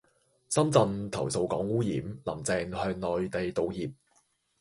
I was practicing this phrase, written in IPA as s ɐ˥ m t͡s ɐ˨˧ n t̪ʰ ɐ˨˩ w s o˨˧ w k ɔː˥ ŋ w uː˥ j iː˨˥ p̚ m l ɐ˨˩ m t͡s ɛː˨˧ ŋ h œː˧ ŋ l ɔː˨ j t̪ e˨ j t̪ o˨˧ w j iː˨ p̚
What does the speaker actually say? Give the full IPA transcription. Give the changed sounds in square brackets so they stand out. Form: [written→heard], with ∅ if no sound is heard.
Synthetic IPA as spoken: s ɐ˥ m t͡s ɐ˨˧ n t̪ʰ ɐ˨˩ w s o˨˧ w k [ɔː˥→ɔː˨˥] ŋ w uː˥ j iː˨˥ [p̚→∅] m l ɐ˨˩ m t͡s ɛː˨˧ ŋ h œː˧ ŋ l ɔː˨ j t̪ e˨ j t̪ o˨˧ w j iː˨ p̚